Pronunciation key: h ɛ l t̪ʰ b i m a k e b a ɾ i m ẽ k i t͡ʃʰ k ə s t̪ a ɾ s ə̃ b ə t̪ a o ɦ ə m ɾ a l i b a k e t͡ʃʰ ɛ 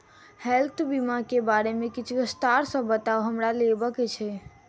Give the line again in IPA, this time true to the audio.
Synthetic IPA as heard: h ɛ l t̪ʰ b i m a k e b a ɾ e m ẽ k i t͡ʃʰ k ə s t̪ a ɾ s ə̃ b ə t̪ a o ɦ ə m ɾ a l e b ə k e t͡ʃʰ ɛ